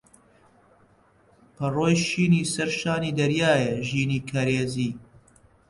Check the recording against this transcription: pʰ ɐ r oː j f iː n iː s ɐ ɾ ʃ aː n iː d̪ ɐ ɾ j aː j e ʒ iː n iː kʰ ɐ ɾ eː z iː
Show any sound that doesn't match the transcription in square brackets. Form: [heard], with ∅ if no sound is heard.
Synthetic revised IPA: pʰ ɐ r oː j [ʃ] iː n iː s ɐ ɾ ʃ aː n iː d̪ ɐ ɾ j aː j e ʒ iː n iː kʰ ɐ ɾ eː z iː